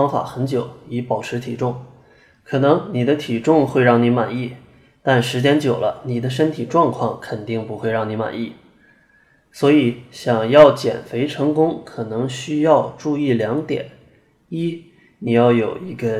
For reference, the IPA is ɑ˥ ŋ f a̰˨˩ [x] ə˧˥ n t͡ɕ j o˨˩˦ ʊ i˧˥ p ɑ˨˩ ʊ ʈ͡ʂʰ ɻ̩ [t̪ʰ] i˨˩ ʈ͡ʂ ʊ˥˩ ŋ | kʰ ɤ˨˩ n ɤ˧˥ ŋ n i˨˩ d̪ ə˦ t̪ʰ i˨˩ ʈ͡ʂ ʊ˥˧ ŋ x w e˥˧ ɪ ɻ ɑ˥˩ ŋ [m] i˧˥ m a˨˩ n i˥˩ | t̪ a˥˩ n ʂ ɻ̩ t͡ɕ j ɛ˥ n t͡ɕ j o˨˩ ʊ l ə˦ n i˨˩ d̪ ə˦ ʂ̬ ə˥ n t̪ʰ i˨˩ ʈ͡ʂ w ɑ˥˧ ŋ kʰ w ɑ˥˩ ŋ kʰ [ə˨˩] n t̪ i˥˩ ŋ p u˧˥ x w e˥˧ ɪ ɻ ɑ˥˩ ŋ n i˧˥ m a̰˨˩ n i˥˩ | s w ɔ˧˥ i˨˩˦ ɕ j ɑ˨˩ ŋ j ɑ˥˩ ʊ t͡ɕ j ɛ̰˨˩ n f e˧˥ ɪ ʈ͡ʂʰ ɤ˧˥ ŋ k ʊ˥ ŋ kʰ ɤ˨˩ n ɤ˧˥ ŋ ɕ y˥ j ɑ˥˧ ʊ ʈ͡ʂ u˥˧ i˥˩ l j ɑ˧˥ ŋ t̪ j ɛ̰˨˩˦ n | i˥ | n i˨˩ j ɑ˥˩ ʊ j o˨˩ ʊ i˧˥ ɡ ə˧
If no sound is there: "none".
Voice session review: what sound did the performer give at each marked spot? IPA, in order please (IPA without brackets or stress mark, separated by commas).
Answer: x, t̪ʰ, n, ə˨˩